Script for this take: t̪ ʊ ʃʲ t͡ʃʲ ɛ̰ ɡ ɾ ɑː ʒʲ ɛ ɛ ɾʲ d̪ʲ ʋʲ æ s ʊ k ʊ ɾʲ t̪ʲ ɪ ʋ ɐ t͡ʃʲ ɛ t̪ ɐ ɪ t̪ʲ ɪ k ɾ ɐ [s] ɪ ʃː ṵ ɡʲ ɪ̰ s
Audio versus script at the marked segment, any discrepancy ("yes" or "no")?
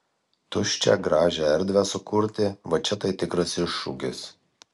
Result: no